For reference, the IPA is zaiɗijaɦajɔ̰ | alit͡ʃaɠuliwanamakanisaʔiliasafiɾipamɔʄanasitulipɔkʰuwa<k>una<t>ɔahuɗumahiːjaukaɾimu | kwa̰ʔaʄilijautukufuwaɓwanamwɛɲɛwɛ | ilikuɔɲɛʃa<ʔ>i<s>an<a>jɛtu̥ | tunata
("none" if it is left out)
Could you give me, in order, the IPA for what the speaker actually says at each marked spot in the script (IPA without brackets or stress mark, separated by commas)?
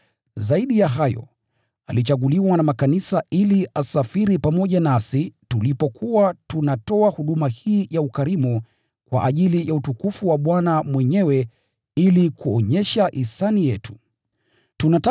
t, t, ʔ, s, i